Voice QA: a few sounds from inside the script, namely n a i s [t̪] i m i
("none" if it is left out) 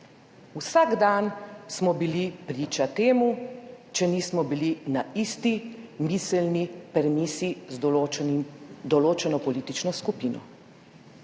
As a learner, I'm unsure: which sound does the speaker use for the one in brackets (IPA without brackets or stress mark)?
t̪